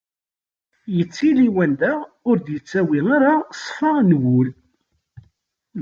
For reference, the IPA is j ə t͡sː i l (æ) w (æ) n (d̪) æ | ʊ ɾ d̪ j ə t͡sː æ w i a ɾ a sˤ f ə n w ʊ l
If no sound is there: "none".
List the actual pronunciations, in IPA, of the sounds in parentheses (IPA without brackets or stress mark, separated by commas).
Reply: i, æ, d̪